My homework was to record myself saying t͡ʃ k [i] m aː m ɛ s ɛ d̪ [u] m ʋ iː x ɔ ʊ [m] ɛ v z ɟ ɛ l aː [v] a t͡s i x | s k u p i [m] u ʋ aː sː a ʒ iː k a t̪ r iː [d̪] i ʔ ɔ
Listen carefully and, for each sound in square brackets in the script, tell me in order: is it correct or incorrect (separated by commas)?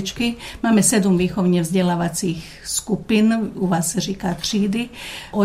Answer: correct, correct, incorrect, incorrect, incorrect, correct